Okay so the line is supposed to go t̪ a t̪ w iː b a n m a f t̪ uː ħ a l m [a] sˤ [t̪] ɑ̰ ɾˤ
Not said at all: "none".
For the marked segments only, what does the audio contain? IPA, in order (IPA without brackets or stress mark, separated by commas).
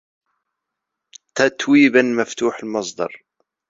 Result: ɑ, d̪